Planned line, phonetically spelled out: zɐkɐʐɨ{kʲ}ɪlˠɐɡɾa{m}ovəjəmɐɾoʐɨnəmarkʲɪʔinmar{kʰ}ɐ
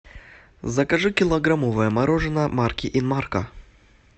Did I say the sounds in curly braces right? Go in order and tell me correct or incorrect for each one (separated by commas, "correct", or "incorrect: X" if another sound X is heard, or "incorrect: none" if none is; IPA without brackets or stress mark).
correct, correct, incorrect: k